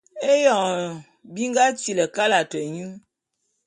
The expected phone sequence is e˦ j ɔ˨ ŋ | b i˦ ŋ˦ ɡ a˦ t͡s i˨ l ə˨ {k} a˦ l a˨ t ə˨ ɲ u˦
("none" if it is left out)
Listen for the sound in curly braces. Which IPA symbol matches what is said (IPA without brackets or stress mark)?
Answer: k